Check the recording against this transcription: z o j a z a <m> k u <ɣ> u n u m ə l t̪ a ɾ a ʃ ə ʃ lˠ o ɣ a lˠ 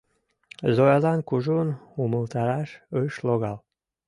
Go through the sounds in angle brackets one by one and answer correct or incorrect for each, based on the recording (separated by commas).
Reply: incorrect, incorrect